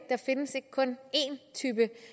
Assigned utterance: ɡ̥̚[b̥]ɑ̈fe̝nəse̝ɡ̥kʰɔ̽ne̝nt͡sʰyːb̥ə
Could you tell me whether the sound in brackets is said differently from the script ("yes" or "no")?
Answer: yes